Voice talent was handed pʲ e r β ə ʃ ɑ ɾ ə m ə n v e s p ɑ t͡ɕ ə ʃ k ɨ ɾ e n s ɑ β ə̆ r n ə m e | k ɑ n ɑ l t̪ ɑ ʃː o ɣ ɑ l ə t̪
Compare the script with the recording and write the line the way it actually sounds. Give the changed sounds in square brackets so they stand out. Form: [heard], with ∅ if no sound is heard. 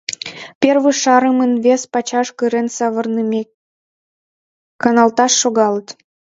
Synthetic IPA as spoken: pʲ e r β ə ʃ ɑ ɾ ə m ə n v e s p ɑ t͡ɕ [ɑ] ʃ k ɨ ɾ e n s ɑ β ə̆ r n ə m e | k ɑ n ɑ l t̪ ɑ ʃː o ɣ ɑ l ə t̪